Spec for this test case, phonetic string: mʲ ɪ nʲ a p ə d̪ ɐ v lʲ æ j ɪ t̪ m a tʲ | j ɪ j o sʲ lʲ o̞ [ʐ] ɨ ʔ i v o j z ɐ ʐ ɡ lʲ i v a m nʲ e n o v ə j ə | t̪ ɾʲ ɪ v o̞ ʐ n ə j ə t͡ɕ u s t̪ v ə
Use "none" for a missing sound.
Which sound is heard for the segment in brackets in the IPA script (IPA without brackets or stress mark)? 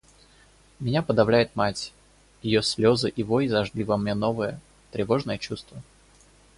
z